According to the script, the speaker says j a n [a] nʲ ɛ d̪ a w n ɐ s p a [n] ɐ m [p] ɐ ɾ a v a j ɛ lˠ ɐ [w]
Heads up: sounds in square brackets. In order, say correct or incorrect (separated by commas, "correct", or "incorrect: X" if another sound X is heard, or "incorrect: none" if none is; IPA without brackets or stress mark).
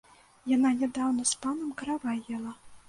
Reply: correct, correct, incorrect: k, incorrect: none